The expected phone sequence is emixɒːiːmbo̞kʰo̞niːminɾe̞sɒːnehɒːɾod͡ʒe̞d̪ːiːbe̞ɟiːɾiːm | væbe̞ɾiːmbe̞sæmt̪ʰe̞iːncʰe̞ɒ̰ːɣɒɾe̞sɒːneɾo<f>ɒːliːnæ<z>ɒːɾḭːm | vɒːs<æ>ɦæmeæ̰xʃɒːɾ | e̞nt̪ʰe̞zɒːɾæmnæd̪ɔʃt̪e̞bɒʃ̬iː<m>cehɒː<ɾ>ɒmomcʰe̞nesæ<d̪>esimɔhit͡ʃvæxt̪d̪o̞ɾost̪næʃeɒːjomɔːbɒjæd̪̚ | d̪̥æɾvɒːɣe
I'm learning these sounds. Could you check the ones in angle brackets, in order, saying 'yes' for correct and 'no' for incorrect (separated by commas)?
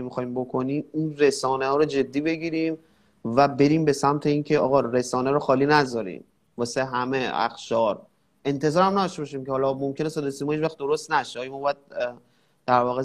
no, yes, no, yes, no, yes